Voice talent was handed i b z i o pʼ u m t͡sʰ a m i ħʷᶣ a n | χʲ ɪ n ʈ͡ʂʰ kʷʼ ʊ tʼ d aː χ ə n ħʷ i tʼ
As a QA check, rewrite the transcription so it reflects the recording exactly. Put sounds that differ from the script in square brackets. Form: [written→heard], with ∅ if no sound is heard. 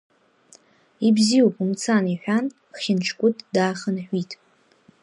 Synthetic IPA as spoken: i b z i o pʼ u m t͡sʰ a [m→n] i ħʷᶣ a n | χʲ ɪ n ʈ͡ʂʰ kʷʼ ʊ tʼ d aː χ ə n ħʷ i tʼ